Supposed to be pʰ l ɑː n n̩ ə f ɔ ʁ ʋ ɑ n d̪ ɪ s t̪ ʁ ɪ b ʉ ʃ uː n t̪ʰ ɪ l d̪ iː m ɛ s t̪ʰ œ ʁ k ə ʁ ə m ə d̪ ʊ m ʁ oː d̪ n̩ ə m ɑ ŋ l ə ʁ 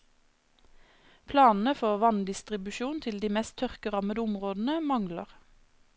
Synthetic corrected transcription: pʰ l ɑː n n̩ ə f ɔ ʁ ʋ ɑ n d̪ ɪ s t̪ ʁ ɪ b ʉ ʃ uː n t̪ʰ ɪ l d̪ iː m ɛ s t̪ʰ œ ʁ k ə ʁ ɑ m ə d̪ ʊ m ʁ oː d̪ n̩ ə m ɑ ŋ l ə ʁ